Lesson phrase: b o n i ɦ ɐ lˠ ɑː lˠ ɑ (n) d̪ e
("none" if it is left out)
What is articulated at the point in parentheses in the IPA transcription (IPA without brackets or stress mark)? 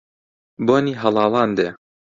n